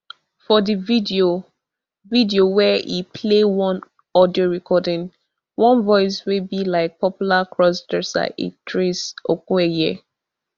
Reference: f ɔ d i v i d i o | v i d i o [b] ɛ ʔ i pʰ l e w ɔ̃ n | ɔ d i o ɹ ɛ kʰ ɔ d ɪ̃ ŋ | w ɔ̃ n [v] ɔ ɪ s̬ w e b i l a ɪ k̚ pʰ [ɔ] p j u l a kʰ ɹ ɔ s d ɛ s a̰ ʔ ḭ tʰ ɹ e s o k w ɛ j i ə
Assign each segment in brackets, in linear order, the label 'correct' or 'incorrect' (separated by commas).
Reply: incorrect, correct, correct